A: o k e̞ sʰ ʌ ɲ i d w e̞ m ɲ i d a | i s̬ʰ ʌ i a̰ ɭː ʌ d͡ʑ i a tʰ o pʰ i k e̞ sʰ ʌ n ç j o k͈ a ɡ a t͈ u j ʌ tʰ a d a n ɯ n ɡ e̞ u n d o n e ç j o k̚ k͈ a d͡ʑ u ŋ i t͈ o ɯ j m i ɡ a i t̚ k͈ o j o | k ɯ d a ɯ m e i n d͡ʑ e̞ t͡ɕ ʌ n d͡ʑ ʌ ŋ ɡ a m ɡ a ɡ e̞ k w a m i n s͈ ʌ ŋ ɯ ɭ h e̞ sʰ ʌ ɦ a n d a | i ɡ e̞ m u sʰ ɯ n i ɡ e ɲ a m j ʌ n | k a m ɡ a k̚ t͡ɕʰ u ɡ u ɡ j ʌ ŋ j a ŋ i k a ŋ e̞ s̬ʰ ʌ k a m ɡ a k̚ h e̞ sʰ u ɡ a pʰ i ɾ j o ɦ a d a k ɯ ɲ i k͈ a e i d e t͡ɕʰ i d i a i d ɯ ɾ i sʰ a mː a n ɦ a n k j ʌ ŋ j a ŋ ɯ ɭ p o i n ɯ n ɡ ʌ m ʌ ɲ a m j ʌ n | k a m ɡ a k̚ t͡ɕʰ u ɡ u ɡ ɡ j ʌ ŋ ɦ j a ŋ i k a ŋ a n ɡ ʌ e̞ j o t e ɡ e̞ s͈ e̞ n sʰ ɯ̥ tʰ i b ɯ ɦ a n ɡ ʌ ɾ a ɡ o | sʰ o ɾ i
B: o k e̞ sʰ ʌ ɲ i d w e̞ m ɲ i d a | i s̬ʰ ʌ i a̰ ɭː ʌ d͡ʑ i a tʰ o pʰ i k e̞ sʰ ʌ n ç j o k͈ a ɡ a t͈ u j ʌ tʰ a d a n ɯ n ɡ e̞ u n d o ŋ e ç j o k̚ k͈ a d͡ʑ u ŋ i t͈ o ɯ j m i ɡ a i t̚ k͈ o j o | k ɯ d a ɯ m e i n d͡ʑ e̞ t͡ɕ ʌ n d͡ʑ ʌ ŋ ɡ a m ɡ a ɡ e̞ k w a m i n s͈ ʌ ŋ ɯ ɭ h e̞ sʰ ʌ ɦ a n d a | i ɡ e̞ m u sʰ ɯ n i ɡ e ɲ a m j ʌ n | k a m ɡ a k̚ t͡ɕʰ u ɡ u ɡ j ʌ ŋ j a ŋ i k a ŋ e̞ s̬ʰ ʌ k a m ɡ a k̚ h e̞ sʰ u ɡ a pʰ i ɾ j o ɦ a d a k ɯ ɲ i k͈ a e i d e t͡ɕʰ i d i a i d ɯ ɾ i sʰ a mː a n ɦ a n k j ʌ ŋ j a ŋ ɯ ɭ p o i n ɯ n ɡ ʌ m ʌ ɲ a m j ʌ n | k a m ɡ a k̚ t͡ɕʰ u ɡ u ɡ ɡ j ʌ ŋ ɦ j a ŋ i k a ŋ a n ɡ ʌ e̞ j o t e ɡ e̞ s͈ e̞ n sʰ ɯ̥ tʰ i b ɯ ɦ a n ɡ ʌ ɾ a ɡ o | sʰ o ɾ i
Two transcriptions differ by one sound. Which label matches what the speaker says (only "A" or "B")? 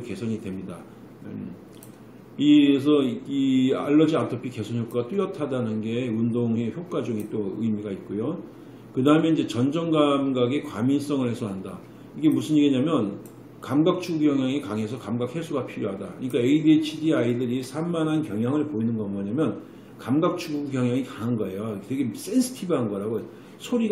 B